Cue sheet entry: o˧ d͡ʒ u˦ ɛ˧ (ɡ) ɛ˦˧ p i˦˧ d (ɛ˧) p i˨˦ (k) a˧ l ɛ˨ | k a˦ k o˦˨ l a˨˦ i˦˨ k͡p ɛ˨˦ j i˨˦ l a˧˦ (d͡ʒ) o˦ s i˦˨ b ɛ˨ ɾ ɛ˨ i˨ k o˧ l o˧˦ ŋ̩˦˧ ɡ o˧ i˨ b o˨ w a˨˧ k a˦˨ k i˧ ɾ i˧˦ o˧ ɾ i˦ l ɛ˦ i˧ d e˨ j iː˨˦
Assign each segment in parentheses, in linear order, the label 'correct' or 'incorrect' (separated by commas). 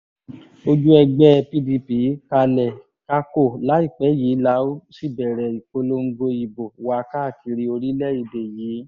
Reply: incorrect, incorrect, correct, incorrect